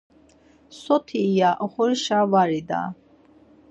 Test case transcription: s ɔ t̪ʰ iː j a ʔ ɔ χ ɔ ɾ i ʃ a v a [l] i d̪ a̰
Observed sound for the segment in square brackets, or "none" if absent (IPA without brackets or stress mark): ɾ